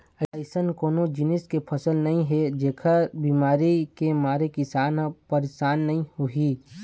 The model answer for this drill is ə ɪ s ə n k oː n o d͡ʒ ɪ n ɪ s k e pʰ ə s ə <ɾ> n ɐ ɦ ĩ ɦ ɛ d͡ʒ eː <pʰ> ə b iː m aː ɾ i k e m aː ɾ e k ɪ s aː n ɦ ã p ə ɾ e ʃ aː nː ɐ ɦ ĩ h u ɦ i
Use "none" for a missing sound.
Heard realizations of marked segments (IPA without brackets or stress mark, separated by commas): l, kʰ